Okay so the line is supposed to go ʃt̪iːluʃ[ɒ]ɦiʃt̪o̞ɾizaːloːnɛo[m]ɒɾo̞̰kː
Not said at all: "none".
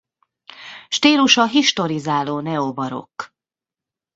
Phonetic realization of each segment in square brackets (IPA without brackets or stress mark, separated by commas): ɒ, b